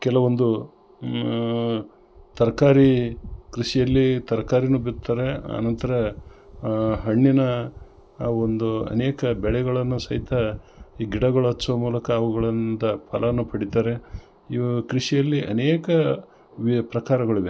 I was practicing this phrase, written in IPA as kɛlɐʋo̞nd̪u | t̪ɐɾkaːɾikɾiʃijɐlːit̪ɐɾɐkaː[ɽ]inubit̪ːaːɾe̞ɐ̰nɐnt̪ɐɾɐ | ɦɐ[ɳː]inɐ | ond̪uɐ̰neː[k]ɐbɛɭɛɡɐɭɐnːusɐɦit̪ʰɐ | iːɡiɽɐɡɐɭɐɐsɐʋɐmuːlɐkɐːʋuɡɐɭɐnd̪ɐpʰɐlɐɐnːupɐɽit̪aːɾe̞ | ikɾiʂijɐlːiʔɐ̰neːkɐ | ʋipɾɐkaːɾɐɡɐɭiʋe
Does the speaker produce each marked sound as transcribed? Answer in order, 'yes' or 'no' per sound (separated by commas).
no, yes, yes